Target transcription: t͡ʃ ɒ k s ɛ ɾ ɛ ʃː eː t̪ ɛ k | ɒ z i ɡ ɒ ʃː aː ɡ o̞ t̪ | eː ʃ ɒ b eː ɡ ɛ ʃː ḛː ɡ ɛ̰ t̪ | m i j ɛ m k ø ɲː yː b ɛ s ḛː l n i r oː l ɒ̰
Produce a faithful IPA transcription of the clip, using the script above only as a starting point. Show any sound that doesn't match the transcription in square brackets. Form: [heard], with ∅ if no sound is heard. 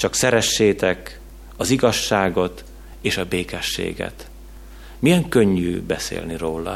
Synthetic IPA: t͡ʃ ɒ k s ɛ ɾ ɛ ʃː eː t̪ ɛ k | ɒ z i ɡ ɒ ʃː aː ɡ o̞ t̪ | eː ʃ ɒ b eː [k] ɛ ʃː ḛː ɡ ɛ̰ t̪ | m i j ɛ [ŋ] k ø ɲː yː b ɛ s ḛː l n i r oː l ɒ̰